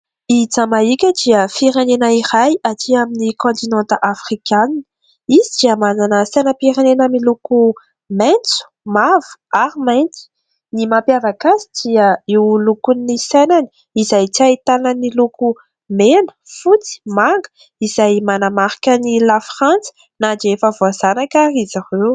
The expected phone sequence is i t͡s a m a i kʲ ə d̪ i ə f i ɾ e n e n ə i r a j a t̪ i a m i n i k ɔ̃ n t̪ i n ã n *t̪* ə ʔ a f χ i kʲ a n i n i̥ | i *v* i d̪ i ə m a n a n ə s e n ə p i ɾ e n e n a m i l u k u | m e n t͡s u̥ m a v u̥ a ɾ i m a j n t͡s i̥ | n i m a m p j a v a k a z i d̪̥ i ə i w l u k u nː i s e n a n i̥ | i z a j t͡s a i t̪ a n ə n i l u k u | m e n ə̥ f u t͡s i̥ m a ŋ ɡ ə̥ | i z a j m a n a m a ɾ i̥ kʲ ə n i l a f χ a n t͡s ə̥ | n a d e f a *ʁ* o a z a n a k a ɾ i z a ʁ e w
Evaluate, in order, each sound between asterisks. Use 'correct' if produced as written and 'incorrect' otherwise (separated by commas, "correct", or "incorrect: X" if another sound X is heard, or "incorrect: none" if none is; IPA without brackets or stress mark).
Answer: correct, incorrect: z, incorrect: v